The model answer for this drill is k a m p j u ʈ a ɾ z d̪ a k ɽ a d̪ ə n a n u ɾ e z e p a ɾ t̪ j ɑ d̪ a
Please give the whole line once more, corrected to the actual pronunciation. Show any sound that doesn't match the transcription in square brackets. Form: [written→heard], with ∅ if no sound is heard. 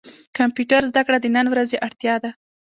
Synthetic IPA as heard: k a m p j u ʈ a ɾ z d̪ a k ɽ a d̪ ə n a n [u→w] ɾ [e→a] z e [p→ʔ] a [ɾ→ɽ] t̪ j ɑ d̪ a